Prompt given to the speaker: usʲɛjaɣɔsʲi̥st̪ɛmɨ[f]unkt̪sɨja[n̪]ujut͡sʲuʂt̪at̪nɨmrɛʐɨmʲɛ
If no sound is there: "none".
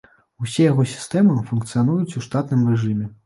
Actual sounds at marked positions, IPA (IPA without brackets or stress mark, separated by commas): f, n̪